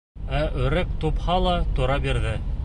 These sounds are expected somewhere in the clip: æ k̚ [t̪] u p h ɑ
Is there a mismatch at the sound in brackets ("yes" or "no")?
no